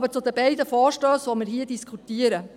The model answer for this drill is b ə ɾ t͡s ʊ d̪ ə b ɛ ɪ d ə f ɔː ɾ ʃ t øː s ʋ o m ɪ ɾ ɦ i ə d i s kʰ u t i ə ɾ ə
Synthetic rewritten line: b ə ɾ t͡s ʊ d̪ ə b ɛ ɪ d ə f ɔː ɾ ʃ t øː s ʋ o m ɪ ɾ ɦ i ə d i s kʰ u t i ə ɾ ə